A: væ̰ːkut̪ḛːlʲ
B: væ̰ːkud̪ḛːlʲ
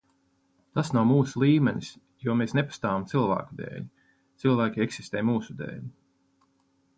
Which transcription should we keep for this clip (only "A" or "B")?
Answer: B